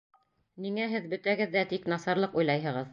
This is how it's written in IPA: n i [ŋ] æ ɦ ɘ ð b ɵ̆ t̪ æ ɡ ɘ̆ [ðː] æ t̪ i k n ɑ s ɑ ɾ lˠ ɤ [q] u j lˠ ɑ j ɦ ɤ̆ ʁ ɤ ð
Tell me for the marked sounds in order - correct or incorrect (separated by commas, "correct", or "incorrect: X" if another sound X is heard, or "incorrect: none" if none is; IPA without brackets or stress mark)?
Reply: correct, correct, correct